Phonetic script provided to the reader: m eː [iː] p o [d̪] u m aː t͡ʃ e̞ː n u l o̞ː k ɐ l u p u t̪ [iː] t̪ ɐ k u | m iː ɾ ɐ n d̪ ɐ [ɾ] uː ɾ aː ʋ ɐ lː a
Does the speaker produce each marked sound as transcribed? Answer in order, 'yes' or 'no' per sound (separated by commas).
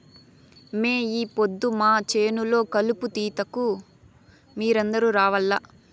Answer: yes, no, yes, yes